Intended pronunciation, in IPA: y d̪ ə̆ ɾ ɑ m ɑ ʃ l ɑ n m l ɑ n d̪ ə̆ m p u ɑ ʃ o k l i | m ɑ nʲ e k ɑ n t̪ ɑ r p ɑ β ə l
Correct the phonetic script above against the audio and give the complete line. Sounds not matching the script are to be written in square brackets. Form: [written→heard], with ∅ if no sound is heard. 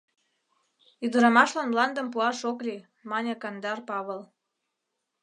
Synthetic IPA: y d̪ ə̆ ɾ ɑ m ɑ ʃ l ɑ n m l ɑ n d̪ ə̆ m p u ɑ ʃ o k l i | m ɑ nʲ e k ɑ n [t̪→d̪] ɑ r p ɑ β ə l